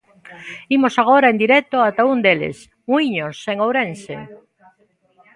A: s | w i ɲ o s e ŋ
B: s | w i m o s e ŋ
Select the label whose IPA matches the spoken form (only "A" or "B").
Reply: A